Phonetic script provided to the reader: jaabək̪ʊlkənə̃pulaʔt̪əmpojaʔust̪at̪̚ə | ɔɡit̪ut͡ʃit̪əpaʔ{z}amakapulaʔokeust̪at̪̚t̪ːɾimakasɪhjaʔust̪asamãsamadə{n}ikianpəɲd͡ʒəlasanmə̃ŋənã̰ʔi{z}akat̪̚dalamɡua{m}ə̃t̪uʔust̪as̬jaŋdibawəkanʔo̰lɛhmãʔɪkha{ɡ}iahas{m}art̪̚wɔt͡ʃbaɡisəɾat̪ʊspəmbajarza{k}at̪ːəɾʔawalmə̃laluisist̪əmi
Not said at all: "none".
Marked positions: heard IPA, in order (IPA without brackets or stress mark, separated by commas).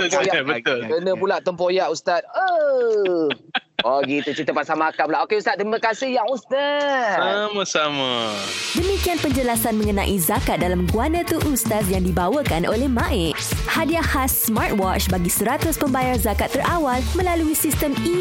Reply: s, m, z, n, d, m, k